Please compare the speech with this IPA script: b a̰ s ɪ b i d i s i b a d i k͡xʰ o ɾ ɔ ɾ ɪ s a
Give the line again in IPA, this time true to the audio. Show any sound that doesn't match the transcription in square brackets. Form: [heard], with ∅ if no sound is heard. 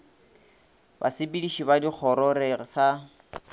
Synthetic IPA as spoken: b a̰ s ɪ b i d i [ʃ] i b a d i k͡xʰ [ɔ] ɾ ɔ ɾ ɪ s a